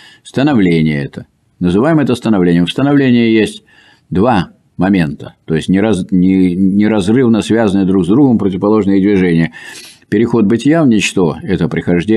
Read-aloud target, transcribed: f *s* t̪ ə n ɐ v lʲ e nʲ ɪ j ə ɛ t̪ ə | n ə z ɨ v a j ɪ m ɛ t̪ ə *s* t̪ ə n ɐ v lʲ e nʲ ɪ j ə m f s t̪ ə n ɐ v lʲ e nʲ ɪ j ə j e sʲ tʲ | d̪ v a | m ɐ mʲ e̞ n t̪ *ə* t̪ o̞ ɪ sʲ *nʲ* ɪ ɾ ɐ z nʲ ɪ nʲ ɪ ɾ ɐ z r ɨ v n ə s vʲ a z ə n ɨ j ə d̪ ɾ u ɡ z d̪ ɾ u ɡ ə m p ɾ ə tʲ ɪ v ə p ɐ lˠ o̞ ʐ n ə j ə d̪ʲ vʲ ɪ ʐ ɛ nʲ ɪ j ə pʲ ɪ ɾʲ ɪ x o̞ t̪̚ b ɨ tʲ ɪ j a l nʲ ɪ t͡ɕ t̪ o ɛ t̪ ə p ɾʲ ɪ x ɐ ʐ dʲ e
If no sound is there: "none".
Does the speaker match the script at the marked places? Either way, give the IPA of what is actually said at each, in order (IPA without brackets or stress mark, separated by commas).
s, s, ə, nʲ